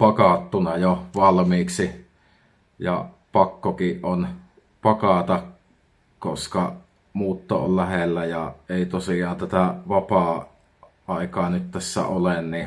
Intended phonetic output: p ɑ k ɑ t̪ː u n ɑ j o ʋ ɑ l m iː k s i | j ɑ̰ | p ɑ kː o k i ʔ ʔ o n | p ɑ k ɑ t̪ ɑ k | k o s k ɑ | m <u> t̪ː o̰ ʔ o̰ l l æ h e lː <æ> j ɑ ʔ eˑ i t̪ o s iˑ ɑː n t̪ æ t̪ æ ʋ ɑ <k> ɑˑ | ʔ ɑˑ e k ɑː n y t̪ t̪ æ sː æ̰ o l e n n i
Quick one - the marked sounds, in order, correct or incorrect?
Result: incorrect: uː, correct, incorrect: p

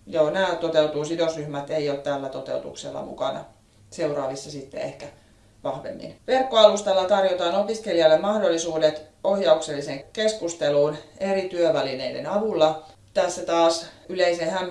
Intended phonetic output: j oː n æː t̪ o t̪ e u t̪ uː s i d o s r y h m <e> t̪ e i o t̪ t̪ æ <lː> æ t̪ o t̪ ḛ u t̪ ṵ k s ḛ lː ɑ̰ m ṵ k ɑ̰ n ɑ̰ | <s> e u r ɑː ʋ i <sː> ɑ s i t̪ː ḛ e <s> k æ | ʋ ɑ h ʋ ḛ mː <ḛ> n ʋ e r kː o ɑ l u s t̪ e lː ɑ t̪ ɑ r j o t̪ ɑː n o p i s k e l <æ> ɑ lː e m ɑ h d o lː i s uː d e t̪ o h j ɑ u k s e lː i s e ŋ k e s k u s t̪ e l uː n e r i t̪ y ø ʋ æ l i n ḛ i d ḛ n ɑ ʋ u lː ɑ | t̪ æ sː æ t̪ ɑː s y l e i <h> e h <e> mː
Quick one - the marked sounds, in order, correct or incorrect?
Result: incorrect: æ, correct, correct, correct, incorrect: h, incorrect: ḭ, incorrect: i, incorrect: s, incorrect: æ

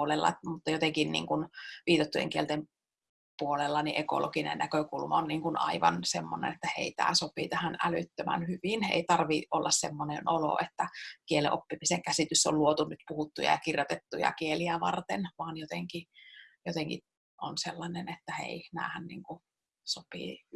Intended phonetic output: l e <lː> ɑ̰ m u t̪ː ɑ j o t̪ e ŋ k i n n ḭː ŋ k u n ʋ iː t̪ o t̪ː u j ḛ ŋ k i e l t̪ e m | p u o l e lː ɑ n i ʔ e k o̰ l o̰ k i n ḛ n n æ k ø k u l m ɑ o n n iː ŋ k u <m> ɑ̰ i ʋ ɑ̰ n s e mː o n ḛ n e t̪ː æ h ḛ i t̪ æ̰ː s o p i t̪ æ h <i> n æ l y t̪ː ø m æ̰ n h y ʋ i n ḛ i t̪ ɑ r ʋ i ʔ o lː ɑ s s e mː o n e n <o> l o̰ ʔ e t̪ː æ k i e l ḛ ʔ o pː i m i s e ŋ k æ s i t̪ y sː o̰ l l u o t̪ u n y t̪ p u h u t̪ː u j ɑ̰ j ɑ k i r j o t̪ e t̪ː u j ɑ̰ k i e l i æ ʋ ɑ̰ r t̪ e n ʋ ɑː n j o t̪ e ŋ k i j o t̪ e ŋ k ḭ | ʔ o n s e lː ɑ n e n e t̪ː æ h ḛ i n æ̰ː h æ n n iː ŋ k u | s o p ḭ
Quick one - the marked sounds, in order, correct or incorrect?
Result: correct, incorrect: n, incorrect: æ, correct

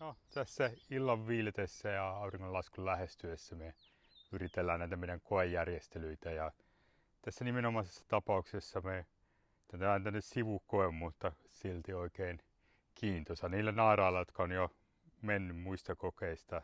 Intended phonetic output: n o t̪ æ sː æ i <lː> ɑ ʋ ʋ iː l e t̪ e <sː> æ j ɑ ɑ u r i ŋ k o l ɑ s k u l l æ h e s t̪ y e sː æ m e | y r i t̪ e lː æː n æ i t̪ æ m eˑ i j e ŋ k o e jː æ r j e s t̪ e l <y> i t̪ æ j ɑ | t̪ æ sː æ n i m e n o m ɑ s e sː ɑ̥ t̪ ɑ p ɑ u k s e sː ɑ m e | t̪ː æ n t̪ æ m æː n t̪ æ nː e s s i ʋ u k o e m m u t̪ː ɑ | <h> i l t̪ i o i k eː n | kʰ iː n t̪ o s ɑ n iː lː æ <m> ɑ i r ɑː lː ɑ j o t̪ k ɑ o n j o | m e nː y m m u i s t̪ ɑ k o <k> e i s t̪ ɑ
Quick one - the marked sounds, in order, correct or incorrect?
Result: correct, correct, correct, incorrect: s, incorrect: n, correct

